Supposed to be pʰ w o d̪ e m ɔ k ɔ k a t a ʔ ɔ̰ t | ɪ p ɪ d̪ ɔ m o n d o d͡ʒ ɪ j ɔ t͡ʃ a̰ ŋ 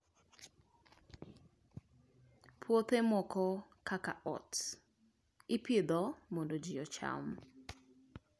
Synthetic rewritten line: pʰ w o t̪ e m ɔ k ɔ k a k a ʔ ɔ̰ t | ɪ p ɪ d̪ ɔ m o n d o d͡ʒ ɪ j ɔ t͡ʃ a̰ m